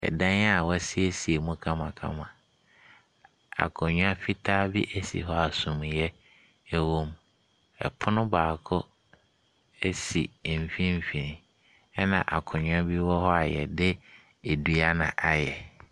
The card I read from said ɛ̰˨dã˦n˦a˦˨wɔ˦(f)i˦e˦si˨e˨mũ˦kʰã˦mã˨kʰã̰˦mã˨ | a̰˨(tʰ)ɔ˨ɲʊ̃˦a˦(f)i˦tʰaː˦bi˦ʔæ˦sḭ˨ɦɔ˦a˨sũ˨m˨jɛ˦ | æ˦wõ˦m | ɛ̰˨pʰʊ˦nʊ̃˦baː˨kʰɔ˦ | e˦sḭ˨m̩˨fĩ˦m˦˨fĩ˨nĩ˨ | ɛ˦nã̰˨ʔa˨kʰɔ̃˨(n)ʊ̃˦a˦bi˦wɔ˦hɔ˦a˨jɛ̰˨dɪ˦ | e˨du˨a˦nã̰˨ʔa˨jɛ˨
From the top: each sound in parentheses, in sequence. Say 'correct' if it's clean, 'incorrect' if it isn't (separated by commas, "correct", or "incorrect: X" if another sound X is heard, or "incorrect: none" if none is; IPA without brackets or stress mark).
incorrect: s, incorrect: kʰ, correct, incorrect: ɲ